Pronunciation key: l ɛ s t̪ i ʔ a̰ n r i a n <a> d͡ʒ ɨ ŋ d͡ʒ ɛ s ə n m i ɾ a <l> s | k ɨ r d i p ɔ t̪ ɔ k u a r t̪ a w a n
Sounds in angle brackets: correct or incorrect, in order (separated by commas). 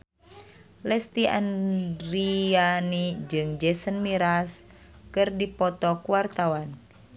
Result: incorrect, incorrect